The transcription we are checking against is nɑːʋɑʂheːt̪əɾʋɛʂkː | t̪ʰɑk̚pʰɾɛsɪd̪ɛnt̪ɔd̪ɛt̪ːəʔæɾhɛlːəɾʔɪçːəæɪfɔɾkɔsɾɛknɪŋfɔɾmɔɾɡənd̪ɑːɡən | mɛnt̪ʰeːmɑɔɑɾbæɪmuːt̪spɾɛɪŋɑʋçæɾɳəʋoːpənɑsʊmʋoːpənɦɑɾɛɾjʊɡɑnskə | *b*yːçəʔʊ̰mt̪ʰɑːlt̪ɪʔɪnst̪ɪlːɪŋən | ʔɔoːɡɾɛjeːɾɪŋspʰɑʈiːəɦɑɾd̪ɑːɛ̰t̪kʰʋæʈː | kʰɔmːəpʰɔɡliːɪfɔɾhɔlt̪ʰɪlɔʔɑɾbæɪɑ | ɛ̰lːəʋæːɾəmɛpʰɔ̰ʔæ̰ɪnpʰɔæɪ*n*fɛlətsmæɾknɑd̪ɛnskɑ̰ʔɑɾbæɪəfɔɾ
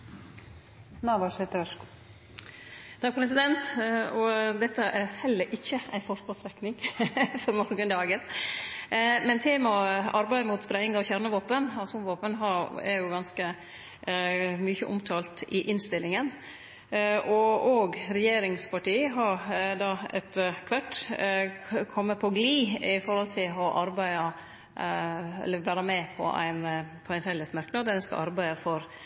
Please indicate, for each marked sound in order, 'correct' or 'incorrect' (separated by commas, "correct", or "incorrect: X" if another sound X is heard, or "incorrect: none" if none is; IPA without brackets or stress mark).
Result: incorrect: m, correct